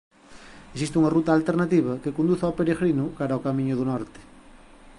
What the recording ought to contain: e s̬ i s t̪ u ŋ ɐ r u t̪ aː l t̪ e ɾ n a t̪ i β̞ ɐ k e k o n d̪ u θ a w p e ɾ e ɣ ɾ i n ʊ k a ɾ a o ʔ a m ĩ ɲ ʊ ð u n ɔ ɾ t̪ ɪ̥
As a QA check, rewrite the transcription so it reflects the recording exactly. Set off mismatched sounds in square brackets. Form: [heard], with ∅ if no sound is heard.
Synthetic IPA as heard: e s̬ i s t̪ u ŋ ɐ r u t̪ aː l t̪ e ɾ n a t̪ i β̞ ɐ k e k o n d̪ u θ a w p e ɾ e ɣ ɾ i n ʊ k a ɾ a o [k] a m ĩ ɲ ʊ ð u n ɔ ɾ t̪ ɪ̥